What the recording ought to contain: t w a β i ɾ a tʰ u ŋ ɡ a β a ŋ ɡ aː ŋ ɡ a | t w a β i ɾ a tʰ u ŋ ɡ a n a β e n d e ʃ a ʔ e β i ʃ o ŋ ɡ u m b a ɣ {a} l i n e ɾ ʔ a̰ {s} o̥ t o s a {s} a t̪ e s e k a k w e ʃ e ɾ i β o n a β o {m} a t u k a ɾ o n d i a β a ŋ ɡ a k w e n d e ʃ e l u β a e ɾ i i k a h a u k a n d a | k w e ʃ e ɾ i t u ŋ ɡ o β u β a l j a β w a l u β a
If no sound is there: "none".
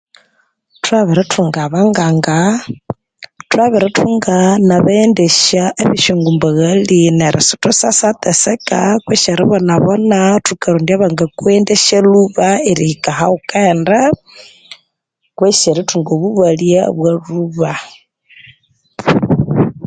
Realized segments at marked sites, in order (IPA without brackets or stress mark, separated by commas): a, s, s, n